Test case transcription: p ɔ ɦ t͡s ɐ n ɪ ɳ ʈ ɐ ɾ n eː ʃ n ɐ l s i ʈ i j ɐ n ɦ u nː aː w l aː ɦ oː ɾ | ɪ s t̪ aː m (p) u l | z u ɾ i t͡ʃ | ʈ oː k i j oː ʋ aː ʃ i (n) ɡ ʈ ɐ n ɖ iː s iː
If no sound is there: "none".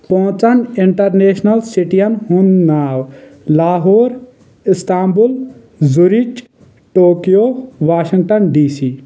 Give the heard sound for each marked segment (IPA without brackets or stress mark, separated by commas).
b, ŋ